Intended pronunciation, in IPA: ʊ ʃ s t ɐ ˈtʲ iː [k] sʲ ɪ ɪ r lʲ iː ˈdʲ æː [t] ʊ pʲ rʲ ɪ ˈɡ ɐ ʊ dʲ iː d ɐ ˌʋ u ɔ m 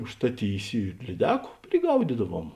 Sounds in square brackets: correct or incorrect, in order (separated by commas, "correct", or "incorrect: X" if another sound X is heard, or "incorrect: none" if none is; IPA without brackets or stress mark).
incorrect: none, incorrect: k